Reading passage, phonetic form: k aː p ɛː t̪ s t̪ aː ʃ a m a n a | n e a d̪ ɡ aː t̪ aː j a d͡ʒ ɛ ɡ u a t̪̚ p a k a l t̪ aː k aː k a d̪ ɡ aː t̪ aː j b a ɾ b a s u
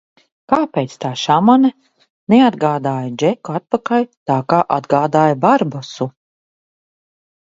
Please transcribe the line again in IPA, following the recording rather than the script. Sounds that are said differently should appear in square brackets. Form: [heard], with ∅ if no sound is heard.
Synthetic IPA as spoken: k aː p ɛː t̪ s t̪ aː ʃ a m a n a | n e a d̪ ɡ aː [d̪] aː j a d͡ʒ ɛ [k] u a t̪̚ p a k a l t̪ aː k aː [ʔ] a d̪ ɡ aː [d̪] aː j b a ɾ b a s u